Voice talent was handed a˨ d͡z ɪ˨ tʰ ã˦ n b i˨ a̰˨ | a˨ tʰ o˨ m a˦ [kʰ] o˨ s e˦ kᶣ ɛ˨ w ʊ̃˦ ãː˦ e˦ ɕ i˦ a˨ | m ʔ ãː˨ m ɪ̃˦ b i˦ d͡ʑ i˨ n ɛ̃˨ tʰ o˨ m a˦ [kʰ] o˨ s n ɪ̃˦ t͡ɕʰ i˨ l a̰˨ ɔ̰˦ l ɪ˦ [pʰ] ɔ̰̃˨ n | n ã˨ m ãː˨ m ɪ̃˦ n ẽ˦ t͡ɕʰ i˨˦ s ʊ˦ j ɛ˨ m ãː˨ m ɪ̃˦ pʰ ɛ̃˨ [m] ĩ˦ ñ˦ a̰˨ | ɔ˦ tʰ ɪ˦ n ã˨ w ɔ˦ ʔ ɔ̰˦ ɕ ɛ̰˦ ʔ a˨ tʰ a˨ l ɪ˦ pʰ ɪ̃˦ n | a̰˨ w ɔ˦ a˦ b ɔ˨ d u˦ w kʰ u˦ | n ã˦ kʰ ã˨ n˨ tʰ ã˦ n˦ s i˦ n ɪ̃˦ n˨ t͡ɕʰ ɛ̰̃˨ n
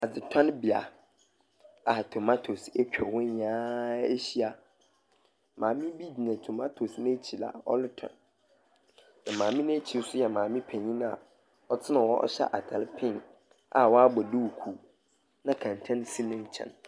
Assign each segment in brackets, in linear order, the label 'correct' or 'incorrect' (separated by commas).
incorrect, incorrect, incorrect, incorrect